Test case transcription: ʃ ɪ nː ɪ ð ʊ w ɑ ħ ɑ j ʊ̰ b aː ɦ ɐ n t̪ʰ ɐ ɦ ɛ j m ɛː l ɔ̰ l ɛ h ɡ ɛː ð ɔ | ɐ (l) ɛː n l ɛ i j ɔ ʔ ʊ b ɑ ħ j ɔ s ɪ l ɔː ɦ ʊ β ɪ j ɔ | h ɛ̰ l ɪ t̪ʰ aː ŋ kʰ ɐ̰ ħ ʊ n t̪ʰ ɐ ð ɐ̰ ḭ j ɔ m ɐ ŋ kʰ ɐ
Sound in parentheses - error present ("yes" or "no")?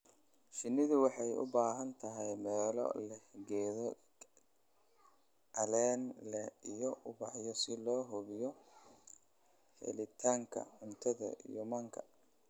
no